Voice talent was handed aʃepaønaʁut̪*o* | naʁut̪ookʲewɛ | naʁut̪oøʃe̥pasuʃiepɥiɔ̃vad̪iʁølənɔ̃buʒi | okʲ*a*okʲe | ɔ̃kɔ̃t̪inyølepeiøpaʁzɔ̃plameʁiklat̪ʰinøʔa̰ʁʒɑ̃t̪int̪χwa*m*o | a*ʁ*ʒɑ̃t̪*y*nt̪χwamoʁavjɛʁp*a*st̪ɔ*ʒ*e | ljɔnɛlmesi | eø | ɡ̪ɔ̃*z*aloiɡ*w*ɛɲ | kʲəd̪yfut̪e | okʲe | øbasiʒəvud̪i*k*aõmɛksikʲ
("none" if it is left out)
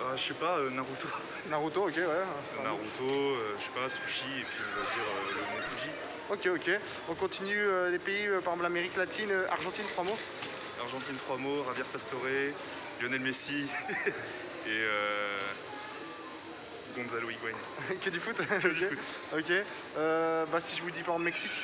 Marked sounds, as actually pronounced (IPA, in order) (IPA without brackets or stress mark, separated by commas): o, e, m, ʁ, i, a, ʁ, z, w, p